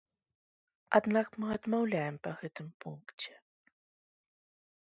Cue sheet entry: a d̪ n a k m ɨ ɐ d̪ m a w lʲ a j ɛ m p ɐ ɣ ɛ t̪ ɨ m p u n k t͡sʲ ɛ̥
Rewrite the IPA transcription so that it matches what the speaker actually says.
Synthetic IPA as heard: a d̪ n a k m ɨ ɐ d̪ m a w lʲ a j ɛ m p ɐ ɣ ɛ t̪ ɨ m p u n k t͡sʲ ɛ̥